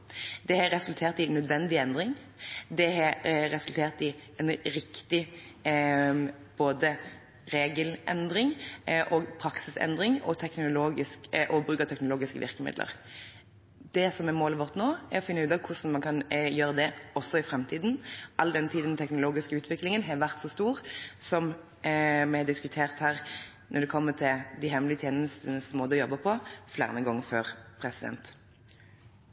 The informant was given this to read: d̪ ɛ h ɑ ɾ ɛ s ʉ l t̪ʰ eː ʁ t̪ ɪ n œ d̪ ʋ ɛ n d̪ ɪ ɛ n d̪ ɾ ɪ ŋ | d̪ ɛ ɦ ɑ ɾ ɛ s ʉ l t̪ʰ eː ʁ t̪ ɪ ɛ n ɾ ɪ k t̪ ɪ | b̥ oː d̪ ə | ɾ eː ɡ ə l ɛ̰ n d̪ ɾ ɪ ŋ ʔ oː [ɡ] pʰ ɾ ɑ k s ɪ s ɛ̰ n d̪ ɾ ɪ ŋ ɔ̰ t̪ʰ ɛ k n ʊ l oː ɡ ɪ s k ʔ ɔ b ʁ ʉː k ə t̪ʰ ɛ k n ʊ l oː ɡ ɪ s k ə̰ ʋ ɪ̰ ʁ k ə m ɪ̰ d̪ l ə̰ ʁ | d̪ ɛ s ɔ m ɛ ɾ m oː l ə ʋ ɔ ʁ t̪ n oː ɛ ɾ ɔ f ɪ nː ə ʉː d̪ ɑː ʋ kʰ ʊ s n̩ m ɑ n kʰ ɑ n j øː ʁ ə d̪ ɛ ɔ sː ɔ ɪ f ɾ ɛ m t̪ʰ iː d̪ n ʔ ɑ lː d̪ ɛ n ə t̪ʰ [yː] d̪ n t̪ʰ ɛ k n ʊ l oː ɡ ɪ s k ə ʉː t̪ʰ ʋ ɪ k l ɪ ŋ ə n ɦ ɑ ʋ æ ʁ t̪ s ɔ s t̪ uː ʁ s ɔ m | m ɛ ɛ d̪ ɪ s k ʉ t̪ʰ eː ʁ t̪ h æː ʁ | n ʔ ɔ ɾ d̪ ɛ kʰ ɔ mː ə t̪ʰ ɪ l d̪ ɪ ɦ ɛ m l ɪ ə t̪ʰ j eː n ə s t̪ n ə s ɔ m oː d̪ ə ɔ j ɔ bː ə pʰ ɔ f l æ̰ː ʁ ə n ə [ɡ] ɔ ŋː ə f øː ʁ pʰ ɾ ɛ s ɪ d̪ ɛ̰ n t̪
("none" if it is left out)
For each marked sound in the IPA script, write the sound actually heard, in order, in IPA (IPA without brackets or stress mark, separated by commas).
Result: ɡ, iː, ɡ